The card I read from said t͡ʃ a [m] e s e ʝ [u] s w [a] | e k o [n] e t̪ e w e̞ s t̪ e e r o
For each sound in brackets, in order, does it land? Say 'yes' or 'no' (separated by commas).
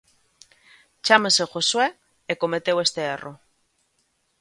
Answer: yes, no, no, no